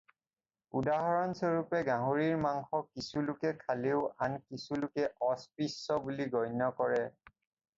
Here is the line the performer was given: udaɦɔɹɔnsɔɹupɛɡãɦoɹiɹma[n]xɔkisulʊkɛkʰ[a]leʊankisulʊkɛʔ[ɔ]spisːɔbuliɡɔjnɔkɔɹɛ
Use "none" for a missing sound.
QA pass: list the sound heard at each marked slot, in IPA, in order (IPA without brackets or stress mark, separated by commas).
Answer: ŋ, a, ɔ